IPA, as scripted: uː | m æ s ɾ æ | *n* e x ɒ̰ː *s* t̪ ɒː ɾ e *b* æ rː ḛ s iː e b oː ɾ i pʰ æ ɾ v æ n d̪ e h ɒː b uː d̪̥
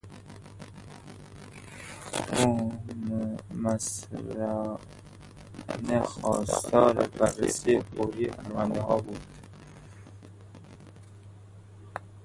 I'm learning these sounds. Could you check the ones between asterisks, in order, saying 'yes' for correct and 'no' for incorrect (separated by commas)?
yes, yes, yes